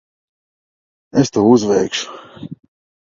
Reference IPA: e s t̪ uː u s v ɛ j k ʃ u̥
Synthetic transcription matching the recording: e s t̪ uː u z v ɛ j k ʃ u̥